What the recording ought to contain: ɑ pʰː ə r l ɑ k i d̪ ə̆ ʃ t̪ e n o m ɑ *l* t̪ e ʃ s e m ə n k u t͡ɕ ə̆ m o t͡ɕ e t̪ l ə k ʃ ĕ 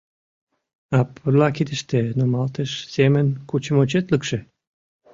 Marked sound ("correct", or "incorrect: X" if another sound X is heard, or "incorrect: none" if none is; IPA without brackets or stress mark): correct